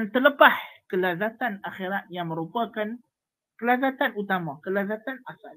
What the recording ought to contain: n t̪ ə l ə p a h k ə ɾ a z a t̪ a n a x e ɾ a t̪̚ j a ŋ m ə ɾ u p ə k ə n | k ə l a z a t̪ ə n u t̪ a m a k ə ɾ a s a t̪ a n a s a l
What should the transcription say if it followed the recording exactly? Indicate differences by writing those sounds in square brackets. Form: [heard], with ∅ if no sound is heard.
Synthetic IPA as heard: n t̪ ə l ə p a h k ə [l] a z a t̪ a n a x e ɾ a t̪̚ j a ŋ m ə ɾ u p [a] k [a] n | k ə l a z a t̪ [a] n u t̪ a m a k ə [l] a [z] a t̪ a n a s a l